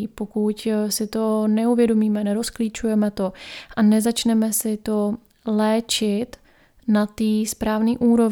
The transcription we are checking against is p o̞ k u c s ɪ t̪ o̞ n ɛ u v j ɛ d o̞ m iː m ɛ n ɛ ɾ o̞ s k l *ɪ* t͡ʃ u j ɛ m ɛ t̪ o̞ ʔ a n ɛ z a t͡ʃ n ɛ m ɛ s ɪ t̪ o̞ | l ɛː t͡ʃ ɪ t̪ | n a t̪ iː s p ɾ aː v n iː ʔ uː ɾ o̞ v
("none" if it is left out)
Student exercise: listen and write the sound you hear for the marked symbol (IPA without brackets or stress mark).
i